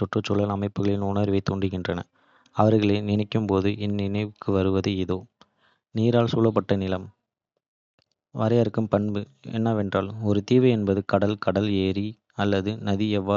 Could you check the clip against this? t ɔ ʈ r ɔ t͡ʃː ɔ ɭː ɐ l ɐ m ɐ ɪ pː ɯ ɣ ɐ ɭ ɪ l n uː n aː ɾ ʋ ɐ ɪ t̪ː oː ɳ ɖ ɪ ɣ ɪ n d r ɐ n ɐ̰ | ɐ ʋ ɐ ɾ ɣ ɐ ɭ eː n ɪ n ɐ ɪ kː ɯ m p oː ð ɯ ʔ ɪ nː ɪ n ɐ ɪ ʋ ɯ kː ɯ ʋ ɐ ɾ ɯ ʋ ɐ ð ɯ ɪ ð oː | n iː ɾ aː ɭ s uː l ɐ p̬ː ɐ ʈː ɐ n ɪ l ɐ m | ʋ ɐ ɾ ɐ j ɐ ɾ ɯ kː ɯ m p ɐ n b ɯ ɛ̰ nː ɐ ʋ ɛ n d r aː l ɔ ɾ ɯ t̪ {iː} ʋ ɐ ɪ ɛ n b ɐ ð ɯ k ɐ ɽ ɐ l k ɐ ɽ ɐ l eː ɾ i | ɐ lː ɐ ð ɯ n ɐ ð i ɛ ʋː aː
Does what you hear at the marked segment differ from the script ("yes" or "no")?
no